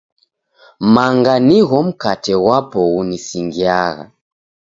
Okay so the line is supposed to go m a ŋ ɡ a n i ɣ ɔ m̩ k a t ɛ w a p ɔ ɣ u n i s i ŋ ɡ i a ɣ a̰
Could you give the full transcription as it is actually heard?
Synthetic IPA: m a ŋ ɡ a n i ɣ ɔ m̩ k a t ɛ w a p ɔ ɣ u n i s i ŋ ɡ i a ɣ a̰